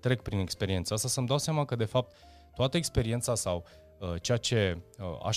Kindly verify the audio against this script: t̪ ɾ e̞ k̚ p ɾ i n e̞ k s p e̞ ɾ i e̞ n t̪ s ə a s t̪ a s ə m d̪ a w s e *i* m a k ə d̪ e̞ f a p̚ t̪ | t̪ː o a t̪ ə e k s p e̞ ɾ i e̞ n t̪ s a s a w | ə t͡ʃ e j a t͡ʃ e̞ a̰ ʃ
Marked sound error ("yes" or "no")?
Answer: yes